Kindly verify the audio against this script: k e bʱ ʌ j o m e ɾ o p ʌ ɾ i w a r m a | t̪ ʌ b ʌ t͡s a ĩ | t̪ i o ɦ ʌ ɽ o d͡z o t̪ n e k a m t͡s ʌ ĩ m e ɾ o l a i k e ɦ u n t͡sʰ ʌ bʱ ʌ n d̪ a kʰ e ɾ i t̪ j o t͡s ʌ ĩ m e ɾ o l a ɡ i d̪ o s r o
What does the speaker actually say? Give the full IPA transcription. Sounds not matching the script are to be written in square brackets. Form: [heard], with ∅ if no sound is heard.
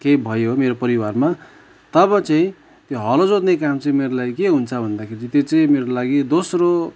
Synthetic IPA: k e bʱ ʌ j o m e ɾ o p ʌ ɾ i w a r m a | t̪ ʌ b ʌ t͡s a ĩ | t̪ [j] o ɦ ʌ [l] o d͡z o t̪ n e k a m t͡s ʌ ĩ m e ɾ o l a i k e ɦ u n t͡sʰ ʌ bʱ ʌ n d̪ a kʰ e ɾ i t̪ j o t͡s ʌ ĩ m e ɾ o l a ɡ i d̪ o s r o